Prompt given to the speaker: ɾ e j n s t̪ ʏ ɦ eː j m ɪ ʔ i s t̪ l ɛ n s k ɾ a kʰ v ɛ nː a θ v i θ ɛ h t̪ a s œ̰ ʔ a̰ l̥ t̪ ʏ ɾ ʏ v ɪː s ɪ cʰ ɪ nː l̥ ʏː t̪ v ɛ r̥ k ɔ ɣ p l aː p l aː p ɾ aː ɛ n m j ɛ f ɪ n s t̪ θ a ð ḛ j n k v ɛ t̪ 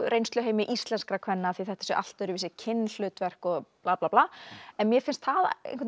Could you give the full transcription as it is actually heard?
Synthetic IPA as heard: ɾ e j n s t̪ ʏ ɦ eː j m ɪ ʔ i s t̪ l ɛ n s k ɾ a kʰ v ɛ nː a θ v i θ ɛ h t̪ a s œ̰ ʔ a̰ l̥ t̪ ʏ ɾ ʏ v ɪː s ɪ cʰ ɪ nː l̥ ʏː t̪ v ɛ r̥ k ɔ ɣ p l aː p l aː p l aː ɛ n m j ɛ f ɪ n s t̪ θ a ð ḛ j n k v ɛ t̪